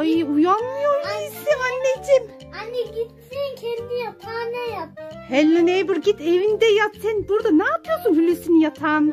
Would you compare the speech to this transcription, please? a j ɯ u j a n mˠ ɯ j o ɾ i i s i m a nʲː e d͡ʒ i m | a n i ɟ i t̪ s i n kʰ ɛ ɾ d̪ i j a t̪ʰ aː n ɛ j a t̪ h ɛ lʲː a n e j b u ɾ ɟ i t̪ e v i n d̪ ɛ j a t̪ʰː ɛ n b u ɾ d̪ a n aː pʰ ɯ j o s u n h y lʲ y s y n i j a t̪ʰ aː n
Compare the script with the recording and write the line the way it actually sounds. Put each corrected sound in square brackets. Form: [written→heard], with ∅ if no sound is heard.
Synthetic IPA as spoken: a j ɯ u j a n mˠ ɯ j o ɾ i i s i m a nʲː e d͡ʒ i m | a n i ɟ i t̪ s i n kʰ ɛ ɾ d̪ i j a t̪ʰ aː n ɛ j a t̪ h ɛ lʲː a n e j b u ɾ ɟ i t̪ e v i n d̪ ɛ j a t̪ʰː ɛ n b u ɾ d̪ a n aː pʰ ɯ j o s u n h y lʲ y s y n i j a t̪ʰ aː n